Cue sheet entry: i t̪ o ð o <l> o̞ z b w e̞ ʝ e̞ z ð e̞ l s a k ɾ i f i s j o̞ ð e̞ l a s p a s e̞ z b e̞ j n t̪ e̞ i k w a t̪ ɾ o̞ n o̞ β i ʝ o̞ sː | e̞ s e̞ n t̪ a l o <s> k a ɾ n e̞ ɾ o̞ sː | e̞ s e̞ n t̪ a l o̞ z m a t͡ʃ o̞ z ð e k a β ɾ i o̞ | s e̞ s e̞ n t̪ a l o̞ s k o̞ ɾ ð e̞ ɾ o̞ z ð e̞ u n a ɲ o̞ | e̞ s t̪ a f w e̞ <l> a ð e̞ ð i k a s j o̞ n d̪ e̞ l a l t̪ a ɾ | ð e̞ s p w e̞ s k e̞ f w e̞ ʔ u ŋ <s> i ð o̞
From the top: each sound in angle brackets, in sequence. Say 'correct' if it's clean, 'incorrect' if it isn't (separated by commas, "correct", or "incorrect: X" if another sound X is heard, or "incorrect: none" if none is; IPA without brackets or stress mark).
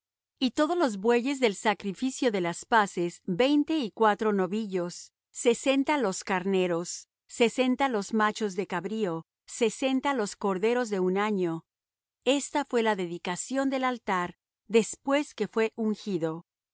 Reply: correct, correct, correct, incorrect: x